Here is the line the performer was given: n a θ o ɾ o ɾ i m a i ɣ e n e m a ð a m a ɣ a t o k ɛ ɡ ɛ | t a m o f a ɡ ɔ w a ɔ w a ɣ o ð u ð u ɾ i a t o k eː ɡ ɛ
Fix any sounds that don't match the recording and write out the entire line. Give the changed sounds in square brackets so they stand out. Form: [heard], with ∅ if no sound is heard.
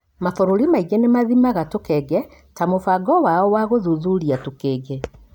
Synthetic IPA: [m] a θ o ɾ o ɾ i m a i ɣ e n e m a ð [i] m a ɣ a t o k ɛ ɡ ɛ | t a m o f a ɡ ɔ w a ɔ w a ɣ o ð u ð u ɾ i a t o k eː ɡ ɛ